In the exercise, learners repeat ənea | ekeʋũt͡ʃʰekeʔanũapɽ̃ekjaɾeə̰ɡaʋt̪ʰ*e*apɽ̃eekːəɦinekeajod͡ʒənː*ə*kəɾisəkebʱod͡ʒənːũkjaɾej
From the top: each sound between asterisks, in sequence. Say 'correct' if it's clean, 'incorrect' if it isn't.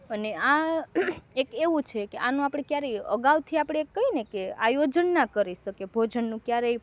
incorrect: i, incorrect: a

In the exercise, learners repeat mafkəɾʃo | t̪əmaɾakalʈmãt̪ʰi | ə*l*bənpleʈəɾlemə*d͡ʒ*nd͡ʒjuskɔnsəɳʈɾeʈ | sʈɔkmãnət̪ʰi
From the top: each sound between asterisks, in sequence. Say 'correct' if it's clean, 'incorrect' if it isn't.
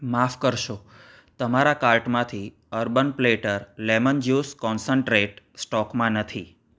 incorrect: ɾ, incorrect: none

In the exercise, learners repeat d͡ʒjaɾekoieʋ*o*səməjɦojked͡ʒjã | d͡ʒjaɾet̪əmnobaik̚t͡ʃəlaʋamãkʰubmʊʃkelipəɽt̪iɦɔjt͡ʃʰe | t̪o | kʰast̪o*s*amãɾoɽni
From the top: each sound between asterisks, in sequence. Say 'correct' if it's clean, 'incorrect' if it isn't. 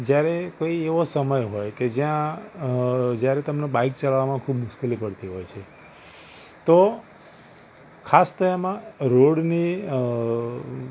correct, incorrect: none

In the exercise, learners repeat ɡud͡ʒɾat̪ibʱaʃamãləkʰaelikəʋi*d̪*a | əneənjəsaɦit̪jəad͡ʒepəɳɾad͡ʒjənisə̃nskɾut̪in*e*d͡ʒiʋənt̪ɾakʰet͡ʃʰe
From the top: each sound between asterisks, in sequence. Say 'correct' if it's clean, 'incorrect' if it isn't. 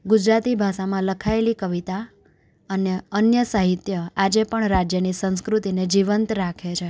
incorrect: t̪, correct

